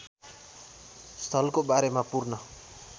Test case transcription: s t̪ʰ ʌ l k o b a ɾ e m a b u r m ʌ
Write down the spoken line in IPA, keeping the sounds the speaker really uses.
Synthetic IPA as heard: s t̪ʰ ʌ l k o b a ɾ e m a p u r n ʌ